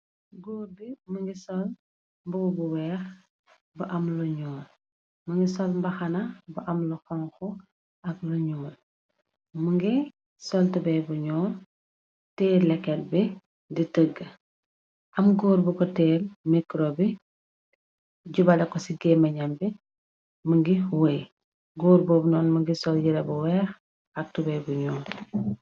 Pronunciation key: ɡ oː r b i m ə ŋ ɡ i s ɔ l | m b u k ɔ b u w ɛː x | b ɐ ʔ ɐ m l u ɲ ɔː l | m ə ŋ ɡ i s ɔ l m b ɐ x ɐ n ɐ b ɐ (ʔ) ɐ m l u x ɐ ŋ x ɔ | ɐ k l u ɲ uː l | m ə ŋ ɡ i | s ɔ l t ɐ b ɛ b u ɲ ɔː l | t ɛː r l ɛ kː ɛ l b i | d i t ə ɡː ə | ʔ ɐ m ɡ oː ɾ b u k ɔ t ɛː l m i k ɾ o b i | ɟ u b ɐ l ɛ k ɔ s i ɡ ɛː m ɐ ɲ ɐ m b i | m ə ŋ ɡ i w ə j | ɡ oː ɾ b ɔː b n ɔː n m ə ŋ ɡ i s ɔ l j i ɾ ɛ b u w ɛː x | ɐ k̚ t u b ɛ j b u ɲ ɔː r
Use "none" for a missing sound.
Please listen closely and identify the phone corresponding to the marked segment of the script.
ʔ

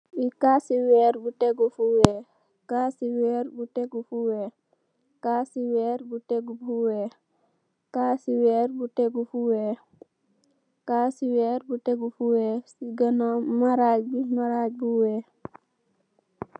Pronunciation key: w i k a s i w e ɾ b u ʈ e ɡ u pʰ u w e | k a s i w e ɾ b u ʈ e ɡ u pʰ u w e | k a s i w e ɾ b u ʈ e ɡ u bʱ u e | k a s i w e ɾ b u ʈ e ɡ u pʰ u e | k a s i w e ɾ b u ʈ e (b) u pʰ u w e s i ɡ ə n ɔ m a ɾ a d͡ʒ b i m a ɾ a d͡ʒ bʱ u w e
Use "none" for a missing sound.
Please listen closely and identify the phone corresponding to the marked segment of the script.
ɡ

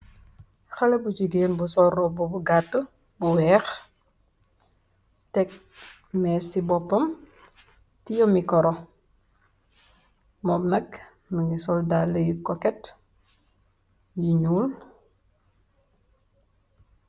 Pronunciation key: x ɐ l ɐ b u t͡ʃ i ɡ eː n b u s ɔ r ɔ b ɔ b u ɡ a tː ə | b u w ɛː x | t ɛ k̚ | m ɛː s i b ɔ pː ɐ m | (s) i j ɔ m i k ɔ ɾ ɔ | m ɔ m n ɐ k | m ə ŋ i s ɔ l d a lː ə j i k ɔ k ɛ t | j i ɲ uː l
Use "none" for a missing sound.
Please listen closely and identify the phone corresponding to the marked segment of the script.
t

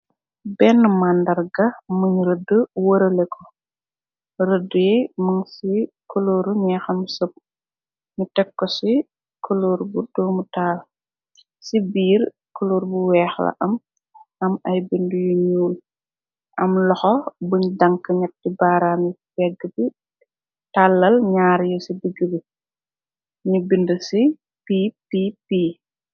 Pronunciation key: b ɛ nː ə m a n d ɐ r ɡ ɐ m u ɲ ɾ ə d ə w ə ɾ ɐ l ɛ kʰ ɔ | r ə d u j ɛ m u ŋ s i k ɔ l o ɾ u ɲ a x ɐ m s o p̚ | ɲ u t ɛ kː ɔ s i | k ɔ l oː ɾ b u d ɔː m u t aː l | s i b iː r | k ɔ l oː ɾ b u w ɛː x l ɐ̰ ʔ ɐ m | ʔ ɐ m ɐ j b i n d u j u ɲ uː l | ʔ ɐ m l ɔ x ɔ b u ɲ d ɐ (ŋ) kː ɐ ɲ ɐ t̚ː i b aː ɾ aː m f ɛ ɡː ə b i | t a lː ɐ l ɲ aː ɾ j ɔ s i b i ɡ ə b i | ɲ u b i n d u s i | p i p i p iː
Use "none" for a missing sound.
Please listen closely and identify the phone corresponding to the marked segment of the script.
ŋ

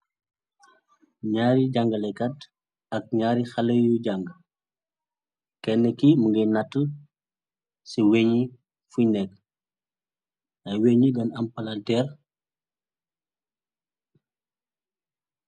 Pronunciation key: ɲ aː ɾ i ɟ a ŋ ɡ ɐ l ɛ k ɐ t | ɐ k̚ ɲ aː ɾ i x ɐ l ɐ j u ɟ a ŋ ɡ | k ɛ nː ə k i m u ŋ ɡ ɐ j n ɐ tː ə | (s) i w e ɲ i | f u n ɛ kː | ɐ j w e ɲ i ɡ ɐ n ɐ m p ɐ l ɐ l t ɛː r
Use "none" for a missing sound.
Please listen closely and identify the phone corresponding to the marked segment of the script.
s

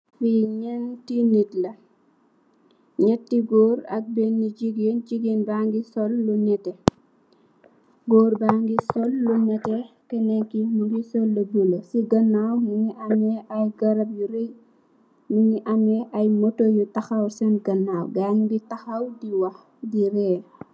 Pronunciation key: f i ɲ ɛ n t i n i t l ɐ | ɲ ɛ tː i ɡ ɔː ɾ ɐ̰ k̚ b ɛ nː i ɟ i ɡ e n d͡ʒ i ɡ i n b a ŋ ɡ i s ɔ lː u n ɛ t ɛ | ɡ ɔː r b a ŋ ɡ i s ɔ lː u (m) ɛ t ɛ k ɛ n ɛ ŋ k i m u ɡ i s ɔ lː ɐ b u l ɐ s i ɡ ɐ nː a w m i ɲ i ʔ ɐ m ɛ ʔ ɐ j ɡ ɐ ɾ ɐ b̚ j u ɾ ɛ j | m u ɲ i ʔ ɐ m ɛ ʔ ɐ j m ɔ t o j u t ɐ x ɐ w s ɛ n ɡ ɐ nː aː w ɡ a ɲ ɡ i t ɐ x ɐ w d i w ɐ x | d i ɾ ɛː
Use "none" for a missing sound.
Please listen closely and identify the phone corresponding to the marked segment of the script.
n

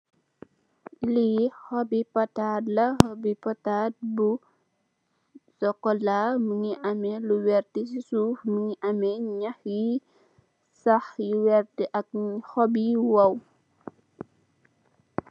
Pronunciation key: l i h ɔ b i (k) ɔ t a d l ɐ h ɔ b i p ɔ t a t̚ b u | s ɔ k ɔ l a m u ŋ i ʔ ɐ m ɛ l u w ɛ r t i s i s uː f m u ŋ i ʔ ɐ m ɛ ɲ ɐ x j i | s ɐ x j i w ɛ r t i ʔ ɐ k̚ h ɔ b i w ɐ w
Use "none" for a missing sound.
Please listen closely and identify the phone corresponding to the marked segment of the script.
p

